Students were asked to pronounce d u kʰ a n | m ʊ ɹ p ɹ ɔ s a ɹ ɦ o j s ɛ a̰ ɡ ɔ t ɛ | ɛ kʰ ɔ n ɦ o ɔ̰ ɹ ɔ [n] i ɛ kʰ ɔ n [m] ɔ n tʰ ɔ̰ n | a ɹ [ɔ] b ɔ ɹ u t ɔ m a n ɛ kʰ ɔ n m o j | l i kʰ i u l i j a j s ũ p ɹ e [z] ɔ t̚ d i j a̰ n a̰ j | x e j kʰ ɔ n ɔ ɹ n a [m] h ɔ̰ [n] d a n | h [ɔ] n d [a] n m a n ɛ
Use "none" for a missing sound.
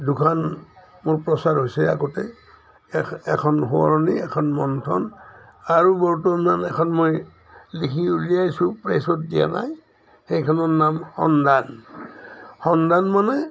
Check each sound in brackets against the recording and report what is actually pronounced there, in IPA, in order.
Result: n, m, u, s, m, n, ɔ, a

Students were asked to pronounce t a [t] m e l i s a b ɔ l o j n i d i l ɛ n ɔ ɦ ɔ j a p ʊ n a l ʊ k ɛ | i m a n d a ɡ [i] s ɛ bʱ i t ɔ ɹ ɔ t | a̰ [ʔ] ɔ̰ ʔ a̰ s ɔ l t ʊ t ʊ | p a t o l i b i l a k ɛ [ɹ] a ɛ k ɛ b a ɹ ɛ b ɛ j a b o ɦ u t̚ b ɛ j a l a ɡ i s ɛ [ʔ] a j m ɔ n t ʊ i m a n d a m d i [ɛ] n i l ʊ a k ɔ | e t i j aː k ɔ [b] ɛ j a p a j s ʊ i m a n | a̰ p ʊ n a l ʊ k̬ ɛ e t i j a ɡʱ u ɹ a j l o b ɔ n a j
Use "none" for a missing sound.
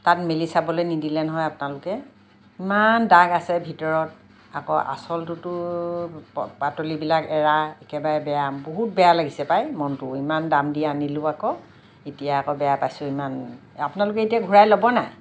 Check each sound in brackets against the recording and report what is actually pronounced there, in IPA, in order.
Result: t, a, k, ɹ, p, a, b

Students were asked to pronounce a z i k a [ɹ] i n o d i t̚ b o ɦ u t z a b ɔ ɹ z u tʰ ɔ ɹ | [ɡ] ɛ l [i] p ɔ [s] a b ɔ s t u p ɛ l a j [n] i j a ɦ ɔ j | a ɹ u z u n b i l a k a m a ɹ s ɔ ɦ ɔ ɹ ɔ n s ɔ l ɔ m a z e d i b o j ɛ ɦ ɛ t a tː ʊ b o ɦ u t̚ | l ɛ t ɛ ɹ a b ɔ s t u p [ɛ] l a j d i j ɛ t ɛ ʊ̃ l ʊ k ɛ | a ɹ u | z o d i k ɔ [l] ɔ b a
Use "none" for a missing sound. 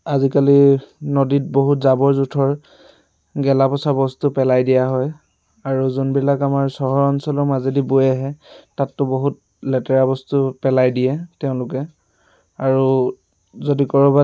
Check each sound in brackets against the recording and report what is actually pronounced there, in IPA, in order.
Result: l, ɡ, a, s, d, ɛ, ɹ

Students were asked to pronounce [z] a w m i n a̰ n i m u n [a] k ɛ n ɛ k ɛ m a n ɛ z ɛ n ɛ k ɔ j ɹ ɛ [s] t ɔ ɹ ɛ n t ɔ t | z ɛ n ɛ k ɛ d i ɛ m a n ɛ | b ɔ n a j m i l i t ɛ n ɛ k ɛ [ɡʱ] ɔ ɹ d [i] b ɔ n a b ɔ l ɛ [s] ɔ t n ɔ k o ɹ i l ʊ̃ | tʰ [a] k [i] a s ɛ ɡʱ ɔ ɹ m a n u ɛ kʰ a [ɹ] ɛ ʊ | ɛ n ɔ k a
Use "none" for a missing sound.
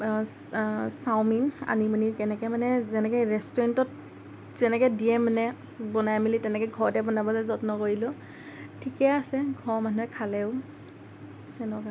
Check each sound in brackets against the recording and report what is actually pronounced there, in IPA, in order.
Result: s, i, s, ɡʱ, ɛ, z, i, ɛ, l

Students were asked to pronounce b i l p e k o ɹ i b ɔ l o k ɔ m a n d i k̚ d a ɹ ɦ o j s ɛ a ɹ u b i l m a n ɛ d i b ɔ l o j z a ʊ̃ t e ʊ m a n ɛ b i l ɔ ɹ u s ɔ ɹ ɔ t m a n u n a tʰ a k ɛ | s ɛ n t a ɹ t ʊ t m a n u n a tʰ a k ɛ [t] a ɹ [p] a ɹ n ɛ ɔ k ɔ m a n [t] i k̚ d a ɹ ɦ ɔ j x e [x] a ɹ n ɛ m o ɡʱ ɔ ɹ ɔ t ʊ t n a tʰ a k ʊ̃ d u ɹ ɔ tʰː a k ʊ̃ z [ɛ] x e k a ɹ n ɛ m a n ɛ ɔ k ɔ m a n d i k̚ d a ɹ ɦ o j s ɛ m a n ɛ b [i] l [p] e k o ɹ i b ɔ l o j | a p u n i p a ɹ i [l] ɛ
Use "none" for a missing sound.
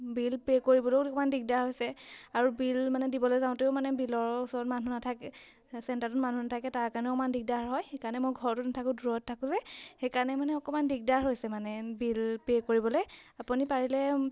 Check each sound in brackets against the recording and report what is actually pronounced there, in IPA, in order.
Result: t, k, d, k, ɛ, i, p, l

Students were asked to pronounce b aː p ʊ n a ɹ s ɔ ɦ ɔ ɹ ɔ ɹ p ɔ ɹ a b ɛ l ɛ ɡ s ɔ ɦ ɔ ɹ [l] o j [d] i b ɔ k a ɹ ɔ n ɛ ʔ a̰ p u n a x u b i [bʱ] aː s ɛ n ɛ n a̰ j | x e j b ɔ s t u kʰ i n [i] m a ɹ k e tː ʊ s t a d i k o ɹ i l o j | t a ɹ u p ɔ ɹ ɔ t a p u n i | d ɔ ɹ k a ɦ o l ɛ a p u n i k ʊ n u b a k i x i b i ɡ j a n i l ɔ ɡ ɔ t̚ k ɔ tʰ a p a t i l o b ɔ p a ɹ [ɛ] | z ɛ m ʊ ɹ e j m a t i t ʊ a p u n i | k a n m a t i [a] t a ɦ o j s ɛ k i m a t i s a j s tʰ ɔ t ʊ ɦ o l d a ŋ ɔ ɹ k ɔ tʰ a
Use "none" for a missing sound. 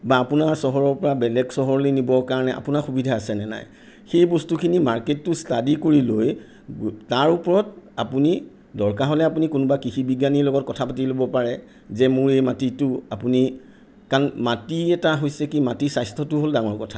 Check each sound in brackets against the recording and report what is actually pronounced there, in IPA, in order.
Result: l, n, dʱ, i, ɛ, ɛ

